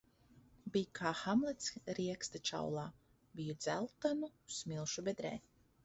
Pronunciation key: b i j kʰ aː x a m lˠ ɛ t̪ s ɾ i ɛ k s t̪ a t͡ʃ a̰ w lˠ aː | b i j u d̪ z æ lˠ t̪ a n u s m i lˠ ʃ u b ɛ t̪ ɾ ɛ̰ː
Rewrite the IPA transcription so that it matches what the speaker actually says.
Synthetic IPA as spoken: b i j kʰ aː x a m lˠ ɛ t̪ s ɾ i ɛ k s t̪ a t͡ʃ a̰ w lˠ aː | b i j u d̪ z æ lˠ t̪ a n u s m i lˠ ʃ u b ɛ d̪ ɾ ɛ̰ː